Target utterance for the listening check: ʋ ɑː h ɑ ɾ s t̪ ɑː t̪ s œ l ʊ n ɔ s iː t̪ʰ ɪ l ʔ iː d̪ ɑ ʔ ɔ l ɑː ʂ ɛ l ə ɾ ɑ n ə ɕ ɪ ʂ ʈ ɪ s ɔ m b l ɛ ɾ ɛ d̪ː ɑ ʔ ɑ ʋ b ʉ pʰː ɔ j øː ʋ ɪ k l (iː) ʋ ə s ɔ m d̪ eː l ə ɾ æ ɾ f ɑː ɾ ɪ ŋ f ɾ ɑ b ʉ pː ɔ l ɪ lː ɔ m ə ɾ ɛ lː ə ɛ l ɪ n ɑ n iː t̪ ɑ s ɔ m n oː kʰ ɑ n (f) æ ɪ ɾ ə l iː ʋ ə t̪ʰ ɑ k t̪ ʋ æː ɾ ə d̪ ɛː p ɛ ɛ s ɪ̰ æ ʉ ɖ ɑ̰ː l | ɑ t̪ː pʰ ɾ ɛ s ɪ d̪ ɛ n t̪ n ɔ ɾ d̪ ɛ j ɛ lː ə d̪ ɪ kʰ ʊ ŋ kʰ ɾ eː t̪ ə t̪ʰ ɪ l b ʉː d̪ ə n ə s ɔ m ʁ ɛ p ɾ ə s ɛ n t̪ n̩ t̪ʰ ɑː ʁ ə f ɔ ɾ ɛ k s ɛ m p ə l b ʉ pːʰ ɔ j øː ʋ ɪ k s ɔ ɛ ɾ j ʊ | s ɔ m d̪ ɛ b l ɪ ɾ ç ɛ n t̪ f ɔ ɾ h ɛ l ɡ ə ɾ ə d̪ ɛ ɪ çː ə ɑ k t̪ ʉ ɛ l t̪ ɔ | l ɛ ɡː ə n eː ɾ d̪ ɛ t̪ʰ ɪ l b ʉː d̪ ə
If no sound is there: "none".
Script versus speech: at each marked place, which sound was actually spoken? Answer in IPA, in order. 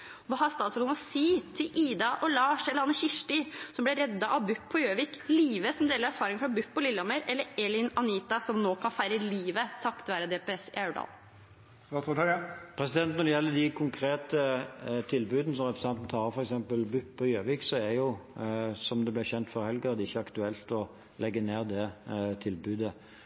iː, f

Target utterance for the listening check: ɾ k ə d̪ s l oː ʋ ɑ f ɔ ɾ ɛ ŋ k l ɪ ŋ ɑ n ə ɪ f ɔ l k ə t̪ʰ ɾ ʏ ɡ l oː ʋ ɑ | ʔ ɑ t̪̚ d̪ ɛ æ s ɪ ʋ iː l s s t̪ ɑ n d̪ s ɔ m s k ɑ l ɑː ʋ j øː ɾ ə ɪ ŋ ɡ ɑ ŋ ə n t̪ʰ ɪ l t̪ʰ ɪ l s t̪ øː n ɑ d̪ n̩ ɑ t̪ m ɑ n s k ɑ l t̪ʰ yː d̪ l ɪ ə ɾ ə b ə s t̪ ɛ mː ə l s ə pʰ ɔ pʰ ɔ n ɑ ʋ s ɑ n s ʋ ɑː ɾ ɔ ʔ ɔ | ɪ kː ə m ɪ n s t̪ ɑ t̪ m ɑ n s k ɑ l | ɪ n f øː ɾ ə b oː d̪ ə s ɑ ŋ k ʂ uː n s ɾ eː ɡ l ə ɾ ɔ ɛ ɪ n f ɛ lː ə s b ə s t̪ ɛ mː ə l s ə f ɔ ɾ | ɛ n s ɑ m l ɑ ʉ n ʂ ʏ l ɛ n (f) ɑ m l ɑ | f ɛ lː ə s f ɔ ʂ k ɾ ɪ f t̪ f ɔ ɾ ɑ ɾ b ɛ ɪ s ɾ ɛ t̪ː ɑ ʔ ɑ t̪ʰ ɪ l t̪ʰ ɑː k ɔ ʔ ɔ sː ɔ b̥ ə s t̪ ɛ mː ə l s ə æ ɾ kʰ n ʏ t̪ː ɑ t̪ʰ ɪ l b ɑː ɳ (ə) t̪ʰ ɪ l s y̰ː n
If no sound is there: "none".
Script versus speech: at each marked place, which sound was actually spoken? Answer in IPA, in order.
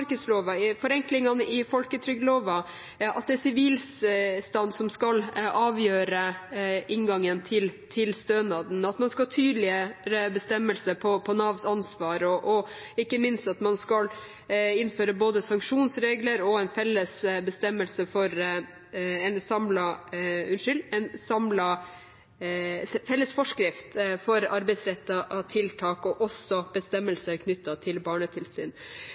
s, ə

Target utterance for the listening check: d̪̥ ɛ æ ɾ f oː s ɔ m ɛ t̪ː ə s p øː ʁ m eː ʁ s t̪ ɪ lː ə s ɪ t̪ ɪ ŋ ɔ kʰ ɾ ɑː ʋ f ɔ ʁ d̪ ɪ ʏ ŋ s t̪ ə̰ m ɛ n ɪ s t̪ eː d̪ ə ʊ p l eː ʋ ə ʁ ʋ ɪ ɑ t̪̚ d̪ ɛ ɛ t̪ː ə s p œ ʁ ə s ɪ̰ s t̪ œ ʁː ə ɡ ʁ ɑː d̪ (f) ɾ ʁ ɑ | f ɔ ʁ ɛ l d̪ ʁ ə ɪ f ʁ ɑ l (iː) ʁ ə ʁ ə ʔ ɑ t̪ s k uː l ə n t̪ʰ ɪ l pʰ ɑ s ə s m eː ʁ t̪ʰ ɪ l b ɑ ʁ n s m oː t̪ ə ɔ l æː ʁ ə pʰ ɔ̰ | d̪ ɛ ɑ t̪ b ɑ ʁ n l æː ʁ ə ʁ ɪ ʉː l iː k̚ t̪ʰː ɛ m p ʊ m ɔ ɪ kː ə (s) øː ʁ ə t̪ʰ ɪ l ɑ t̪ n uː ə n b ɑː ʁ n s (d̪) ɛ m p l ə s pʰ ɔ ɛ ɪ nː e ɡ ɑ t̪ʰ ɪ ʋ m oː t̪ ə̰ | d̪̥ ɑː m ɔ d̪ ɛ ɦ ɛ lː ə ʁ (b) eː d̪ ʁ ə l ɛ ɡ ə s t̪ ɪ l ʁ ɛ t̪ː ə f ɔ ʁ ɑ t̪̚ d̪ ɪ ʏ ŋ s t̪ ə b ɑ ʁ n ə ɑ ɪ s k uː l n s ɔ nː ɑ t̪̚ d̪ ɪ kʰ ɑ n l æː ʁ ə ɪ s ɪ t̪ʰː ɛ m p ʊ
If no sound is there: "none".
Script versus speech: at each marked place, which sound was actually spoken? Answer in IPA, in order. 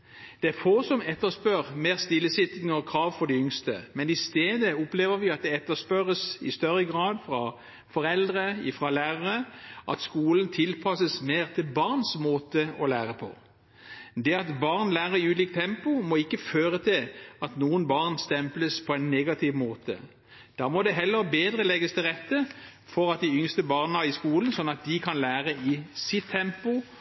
f, æː, f, t̪, b

